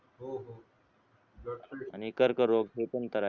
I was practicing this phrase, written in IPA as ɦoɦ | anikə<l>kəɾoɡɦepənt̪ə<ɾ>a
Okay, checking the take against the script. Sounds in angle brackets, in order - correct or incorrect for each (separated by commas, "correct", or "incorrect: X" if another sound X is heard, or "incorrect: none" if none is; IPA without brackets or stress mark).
incorrect: ɾ, correct